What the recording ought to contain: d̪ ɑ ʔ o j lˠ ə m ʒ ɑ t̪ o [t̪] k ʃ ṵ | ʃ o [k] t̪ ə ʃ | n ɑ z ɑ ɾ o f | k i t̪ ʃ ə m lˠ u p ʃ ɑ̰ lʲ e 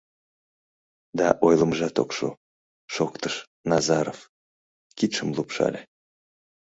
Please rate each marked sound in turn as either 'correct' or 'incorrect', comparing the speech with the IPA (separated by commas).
incorrect, correct